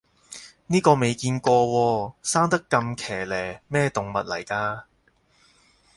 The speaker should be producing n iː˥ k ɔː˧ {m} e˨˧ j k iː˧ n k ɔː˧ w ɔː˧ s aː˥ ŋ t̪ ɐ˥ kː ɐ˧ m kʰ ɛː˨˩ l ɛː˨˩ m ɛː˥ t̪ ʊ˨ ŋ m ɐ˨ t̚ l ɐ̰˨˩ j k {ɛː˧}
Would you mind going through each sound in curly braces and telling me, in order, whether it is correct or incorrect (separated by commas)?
correct, incorrect